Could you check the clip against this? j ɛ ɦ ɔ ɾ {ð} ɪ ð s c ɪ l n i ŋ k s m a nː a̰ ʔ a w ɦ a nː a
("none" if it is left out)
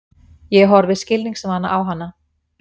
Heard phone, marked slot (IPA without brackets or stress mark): v